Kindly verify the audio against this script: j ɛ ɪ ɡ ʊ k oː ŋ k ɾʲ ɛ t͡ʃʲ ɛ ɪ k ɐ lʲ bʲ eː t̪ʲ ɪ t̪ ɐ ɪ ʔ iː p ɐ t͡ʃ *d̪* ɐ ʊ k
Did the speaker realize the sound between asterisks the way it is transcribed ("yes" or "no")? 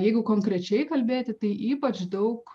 yes